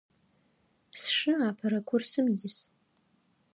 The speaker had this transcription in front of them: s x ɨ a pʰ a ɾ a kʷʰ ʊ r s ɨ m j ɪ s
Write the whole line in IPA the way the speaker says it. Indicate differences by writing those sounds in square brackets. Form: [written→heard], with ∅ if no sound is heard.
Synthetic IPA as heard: s [x→ʂ] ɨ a pʰ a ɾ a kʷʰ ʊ r s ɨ m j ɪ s